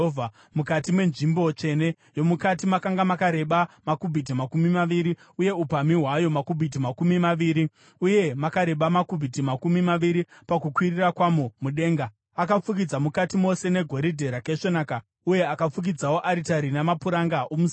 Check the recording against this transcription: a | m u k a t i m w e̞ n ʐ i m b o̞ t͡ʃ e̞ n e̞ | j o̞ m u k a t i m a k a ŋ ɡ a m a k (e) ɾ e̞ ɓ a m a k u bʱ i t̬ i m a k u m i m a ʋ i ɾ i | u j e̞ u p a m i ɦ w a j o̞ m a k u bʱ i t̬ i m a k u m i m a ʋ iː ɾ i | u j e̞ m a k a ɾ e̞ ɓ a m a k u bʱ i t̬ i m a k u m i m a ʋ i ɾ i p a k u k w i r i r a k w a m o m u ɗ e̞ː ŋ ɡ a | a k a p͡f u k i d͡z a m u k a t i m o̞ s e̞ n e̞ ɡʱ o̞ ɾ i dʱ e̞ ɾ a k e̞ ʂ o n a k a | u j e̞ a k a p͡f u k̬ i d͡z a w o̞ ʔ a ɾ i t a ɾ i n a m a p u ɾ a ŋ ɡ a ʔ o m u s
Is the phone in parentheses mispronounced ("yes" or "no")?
yes